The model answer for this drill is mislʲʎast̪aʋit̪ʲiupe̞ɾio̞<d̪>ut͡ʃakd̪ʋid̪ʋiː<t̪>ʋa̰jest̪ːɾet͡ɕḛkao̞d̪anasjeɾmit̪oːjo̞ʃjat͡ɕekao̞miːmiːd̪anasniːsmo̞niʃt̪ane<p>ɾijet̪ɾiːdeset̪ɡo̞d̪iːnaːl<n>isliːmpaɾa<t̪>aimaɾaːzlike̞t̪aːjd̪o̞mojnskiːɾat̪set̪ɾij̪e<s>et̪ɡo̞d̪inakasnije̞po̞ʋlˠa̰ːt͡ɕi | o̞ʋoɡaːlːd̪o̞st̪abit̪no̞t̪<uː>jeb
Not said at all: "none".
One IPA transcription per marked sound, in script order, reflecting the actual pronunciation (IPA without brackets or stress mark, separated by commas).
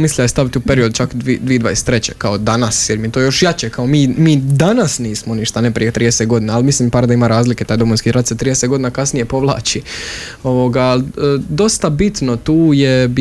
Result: d̪, d̪, p, m, d̪, s, uː